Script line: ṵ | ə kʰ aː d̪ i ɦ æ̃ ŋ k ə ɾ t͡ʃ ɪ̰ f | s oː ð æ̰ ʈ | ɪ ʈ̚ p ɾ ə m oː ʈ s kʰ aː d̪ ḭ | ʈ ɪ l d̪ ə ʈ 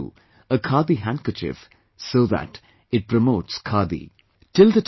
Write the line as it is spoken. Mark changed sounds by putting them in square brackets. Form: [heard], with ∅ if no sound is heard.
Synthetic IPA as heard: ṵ | ə kʰ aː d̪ i ɦ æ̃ ŋ k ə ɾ t͡ʃ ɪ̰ f | s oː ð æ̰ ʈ | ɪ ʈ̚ p ɾ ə m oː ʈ s kʰ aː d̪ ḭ | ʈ ɪ l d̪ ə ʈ